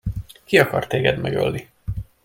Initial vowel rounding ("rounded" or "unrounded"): unrounded